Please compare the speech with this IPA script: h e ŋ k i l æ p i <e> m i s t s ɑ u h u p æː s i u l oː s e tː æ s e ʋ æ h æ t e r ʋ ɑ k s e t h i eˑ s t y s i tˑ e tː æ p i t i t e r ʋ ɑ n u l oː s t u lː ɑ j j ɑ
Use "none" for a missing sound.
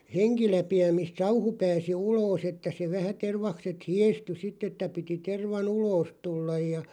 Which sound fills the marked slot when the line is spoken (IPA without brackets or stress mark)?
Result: æ